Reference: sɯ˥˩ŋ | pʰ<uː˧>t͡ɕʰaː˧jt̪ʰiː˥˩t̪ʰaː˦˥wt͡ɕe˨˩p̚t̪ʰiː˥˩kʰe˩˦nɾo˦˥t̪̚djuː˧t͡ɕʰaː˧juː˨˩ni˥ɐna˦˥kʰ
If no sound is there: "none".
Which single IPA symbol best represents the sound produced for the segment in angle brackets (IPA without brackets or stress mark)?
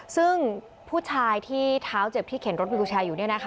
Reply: uː˥˩